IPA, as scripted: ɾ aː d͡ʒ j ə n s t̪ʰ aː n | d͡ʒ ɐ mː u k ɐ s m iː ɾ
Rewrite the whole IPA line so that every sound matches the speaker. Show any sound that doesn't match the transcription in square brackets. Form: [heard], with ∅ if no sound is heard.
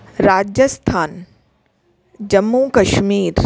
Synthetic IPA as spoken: ɾ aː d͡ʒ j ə [∅] s t̪ʰ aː n | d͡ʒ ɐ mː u k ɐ [ʃ] m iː ɾ